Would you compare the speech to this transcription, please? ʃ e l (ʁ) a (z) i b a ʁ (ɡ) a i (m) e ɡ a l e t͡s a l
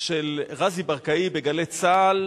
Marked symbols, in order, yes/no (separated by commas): yes, yes, no, no